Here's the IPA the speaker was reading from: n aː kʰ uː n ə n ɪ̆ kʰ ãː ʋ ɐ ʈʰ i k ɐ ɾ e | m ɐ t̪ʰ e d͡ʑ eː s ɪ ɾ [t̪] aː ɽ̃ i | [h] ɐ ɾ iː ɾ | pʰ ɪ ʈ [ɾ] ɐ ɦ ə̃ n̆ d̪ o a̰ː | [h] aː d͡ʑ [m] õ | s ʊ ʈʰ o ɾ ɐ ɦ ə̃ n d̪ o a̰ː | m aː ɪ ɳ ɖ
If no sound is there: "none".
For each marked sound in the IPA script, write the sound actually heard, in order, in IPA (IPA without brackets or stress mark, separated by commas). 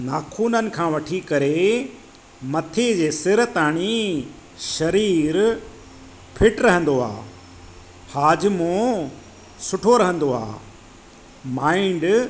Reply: t̪, ʃ, ɾ, h, m